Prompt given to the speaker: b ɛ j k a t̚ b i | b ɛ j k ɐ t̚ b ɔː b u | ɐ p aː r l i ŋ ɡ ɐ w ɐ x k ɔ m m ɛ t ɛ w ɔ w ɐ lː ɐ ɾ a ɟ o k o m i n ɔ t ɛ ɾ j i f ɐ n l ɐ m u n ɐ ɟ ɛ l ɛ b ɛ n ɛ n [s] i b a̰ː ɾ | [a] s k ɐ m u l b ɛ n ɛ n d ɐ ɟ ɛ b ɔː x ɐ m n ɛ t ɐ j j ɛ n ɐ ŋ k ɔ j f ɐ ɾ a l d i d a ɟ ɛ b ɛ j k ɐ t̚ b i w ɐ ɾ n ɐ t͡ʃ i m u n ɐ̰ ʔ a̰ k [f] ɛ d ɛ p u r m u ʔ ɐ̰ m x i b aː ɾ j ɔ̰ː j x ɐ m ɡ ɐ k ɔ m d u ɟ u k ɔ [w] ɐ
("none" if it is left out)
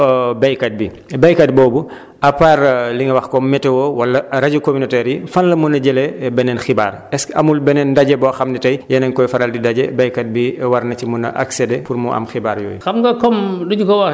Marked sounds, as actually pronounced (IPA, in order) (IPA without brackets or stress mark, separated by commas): x, ɛ, s, w